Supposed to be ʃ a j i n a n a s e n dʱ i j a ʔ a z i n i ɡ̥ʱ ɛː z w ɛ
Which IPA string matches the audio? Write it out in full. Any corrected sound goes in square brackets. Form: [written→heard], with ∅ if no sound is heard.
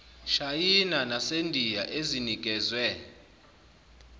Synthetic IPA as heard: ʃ a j i n a n a s e n dʱ i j a ʔ [a→e] z i n i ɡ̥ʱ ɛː z w ɛ